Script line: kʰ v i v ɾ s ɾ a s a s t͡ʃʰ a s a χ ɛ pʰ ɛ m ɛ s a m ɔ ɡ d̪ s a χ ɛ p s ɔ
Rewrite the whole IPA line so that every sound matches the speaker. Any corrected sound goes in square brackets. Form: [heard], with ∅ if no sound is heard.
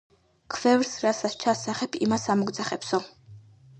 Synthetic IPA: kʰ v [ɛ] v ɾ s ɾ a s a s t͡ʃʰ a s a χ ɛ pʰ [i] m [a] s a m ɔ ɡ d̪ [z] a χ ɛ p s ɔ